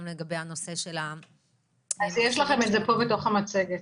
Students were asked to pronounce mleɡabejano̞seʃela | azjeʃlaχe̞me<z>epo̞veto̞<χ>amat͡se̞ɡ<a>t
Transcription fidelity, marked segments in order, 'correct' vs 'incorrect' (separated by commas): correct, correct, incorrect